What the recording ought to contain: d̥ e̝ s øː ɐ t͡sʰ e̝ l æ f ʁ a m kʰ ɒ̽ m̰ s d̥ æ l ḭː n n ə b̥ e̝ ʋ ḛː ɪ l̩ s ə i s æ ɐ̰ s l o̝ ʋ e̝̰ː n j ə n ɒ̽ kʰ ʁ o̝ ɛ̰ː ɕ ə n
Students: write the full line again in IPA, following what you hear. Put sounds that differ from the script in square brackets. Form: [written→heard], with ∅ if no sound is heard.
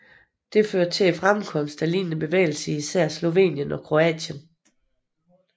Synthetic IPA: d̥ e̝ [s→f] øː ɐ t͡sʰ e̝ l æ f ʁ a m kʰ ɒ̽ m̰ s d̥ æ l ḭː n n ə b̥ e̝ ʋ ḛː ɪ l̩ s ə i s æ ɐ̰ s l o̝ ʋ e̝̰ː n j ə n ɒ̽ kʰ ʁ o̝ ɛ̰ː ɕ ə n